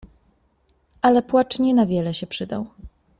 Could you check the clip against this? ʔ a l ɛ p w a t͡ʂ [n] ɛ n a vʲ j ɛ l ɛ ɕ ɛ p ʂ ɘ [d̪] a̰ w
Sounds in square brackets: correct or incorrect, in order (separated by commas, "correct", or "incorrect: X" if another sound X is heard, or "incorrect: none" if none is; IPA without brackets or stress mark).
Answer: incorrect: ɲ, correct